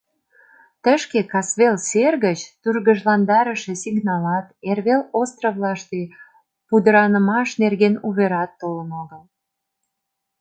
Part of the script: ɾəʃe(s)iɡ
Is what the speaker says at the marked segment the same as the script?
yes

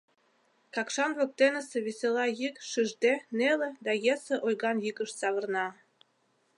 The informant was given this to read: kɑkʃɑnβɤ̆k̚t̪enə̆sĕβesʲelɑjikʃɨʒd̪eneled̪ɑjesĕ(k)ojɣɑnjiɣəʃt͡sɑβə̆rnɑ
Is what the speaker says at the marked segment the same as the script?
no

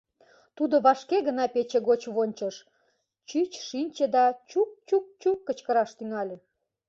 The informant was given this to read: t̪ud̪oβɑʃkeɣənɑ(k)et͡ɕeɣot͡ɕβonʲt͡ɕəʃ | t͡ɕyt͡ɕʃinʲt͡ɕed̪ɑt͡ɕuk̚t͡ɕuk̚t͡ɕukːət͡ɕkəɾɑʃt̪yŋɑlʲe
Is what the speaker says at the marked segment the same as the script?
no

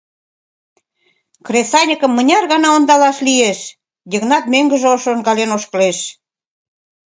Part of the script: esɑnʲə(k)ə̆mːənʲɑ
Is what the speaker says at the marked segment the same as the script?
yes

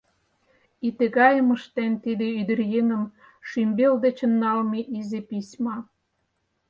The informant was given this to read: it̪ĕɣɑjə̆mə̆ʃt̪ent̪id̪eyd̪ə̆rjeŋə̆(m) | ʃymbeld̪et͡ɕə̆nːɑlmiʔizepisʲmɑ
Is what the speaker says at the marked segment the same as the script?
yes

